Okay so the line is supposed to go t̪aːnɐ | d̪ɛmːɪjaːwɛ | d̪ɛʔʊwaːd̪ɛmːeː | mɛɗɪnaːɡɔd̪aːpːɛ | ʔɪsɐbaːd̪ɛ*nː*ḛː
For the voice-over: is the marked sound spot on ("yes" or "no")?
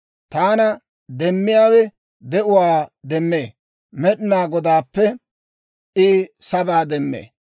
no